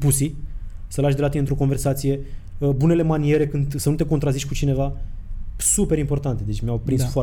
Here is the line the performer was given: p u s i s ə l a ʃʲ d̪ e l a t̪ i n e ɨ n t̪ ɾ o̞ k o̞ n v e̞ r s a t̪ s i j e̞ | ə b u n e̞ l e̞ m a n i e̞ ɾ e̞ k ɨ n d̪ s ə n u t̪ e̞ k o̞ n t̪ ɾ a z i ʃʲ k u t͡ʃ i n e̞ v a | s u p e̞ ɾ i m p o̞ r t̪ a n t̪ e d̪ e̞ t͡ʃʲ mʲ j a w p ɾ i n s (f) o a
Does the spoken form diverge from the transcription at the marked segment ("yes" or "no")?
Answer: no